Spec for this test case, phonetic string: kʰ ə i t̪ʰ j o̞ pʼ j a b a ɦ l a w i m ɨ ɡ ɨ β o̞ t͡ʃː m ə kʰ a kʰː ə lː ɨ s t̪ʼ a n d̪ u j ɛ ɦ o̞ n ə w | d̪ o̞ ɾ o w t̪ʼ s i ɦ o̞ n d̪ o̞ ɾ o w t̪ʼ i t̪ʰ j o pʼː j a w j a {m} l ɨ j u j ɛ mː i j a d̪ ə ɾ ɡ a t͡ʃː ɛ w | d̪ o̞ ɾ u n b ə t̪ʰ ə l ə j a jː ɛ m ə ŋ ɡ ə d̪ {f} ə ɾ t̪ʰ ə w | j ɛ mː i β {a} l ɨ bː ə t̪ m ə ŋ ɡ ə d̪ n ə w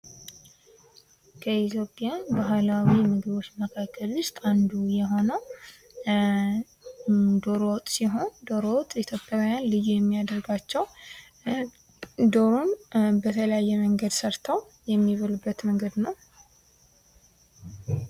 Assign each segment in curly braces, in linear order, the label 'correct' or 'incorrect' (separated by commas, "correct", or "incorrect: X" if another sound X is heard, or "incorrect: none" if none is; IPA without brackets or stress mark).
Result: incorrect: n, incorrect: s, incorrect: ə